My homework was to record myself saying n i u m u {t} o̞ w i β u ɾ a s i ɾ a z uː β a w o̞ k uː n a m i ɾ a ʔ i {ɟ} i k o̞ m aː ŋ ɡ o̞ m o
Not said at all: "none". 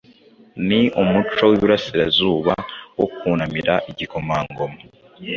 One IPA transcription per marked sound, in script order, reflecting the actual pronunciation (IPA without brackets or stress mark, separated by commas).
t͡ʃ, ɟ